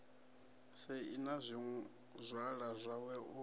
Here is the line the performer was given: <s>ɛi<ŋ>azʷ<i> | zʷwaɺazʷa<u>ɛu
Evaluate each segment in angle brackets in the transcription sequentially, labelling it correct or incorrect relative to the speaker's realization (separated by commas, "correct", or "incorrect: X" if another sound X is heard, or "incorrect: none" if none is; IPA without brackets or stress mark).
correct, incorrect: n, correct, incorrect: w